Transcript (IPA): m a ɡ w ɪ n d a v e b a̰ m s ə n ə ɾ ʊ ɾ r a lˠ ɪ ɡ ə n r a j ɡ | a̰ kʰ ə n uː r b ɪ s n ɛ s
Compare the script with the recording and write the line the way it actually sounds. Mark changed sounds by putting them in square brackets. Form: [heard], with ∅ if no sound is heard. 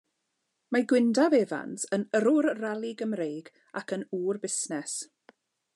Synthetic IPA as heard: m a ɡ w ɪ n d a v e [v] a̰ [n] s ə n ə ɾ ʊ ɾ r a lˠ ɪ ɡ ə [m] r [e] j ɡ | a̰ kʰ ə n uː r b ɪ s n ɛ s